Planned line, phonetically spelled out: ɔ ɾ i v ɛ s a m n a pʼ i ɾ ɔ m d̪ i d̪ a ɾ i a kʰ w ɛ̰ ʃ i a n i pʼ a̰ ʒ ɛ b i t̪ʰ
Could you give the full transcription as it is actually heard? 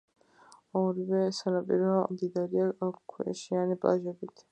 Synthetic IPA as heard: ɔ ɾ i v ɛ s a n a pʼ i ɾ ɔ m d̪ i d̪ a ɾ i a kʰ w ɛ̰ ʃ i a n i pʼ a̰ ʒ ɛ b i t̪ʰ